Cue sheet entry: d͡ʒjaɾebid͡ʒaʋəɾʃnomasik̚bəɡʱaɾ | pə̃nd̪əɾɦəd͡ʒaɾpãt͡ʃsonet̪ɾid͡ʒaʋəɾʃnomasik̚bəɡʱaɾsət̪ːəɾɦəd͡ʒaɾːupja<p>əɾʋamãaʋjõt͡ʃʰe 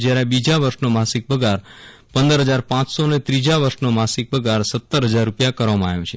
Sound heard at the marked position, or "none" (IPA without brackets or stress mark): k